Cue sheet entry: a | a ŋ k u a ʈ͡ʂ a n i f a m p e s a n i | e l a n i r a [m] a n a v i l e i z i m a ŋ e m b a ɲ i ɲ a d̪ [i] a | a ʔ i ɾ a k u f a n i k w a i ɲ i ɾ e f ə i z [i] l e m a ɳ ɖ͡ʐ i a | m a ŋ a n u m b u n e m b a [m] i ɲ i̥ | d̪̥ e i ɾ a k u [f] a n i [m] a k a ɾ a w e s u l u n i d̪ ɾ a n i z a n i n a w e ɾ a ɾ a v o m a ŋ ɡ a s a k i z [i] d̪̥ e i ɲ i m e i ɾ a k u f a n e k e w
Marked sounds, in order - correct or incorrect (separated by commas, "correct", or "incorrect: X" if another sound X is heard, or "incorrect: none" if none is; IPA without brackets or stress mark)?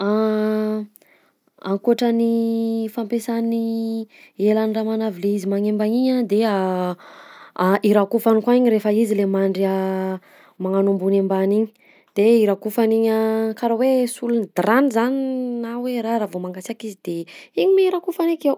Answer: correct, incorrect: e, correct, incorrect: n, correct, incorrect: ɲ, correct